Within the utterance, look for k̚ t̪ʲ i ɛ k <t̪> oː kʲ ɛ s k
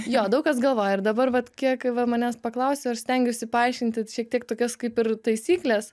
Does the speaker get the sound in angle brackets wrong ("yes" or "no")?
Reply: no